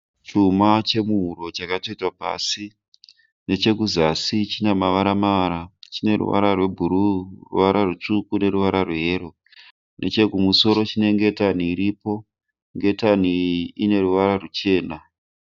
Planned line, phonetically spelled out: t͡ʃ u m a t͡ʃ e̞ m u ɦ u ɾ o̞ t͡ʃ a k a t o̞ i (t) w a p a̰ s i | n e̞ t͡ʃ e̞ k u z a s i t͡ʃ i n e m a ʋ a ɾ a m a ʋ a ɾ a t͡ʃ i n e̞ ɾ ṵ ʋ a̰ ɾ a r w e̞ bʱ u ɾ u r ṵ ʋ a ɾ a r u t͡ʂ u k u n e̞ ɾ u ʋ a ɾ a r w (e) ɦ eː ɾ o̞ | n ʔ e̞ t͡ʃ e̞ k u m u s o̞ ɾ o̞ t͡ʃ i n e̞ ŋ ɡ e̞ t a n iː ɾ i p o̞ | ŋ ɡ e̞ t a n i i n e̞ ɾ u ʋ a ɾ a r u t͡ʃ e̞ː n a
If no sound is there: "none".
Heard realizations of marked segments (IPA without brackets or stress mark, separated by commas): t, e